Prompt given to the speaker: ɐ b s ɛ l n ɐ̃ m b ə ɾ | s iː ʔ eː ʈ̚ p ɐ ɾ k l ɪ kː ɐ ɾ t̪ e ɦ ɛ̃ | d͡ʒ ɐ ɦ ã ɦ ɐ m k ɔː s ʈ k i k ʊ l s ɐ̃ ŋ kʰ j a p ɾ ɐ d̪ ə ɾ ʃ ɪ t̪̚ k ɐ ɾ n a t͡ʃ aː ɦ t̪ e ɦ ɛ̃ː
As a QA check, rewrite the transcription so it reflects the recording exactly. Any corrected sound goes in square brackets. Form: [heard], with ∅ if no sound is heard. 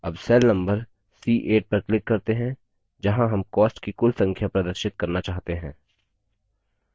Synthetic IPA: ɐ b s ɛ l n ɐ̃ m b ə ɾ | s iː ʔ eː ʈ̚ p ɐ ɾ k l ɪ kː ɐ ɾ t̪ e ɦ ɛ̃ | d͡ʒ ɐ ɦ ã ɦ ɐ m k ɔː s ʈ k i k ʊ l s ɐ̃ ŋ kʰ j a p ɾ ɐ d̪ ə ɾ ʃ ɪ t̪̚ k ɐ ɾ n a t͡ʃ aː ɦ t̪ e ɦ ɛ̃ː